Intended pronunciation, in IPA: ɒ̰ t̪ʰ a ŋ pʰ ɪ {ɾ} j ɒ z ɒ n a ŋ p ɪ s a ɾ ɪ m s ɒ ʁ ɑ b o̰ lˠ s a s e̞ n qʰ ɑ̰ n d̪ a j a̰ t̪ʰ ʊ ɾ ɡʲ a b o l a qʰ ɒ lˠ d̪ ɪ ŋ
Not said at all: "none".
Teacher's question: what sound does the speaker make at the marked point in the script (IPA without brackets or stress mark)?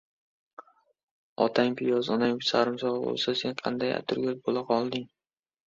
none